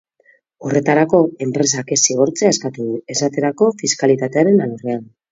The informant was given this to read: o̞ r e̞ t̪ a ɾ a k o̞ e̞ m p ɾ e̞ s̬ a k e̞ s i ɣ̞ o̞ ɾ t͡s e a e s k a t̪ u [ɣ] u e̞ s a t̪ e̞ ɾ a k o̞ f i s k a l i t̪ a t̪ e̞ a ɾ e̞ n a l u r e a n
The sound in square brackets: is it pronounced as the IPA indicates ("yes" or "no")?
no